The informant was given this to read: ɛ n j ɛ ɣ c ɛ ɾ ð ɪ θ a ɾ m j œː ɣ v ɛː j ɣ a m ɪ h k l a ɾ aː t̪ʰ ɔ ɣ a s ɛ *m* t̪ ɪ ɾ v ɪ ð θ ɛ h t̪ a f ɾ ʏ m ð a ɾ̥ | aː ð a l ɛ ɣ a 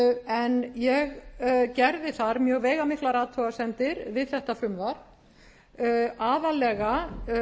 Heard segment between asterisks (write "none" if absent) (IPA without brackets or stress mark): n